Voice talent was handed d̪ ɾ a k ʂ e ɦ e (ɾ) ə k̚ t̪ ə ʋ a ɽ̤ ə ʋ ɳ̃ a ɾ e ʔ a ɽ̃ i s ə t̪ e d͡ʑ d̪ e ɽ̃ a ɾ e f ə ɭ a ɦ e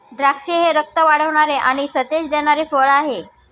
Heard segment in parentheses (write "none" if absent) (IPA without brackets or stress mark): ɾ